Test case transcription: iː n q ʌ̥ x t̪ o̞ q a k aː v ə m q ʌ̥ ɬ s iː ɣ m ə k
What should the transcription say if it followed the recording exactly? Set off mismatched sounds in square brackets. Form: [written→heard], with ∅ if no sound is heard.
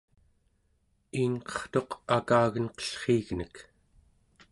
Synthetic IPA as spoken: iː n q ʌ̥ [x→χ] t̪ o̞ q a k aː [v→ɣ] ə [m→n] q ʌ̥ ɬ [s→χ] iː ɣ [m→n] ə k